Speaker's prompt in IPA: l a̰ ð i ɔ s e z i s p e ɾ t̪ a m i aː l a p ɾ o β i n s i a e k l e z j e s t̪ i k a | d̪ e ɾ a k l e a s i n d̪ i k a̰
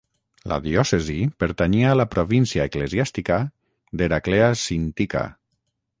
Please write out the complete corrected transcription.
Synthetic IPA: l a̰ ð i ɔ s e z i p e ɾ t̪ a ɲ i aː l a p ɾ o β i n s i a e k l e z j a s t̪ i k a | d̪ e ɾ a k l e a s i n t̪ i k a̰